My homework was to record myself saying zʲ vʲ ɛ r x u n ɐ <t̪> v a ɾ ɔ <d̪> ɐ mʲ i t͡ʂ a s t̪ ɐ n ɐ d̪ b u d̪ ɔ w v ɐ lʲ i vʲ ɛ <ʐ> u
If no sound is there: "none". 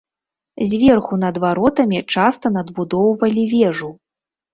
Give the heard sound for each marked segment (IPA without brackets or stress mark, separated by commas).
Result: d̪, t̪, ʐ